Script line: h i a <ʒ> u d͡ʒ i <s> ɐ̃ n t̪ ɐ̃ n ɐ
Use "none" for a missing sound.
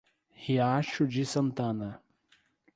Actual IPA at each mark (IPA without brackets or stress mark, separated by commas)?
ʃ, s